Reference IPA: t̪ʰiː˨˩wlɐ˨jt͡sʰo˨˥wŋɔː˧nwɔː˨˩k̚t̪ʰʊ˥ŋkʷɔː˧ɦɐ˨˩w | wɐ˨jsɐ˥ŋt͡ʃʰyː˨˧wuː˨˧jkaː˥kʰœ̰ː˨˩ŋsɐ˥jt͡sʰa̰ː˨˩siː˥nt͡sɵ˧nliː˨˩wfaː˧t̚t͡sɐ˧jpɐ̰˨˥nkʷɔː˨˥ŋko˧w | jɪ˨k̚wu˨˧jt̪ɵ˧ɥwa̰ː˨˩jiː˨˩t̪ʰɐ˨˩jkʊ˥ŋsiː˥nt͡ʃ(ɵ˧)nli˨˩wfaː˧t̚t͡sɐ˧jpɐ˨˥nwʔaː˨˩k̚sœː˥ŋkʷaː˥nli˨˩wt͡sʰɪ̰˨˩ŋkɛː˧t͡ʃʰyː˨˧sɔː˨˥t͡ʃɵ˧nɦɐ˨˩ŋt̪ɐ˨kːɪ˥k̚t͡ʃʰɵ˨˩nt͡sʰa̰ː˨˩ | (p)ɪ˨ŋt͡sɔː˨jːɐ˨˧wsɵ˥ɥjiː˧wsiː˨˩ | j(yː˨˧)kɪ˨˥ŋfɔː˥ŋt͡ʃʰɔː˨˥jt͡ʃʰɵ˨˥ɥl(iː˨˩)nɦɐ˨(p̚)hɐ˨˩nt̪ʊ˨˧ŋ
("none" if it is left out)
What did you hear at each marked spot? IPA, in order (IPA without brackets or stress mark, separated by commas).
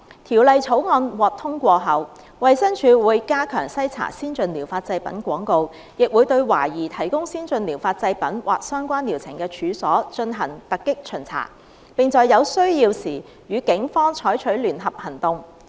ɵ˧, p, yː˨˧, yː˨˩, p̚